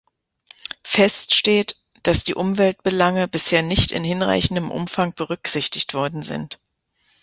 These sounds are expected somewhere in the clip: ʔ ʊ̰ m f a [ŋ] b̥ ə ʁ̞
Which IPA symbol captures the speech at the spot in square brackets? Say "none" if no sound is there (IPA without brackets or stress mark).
ŋ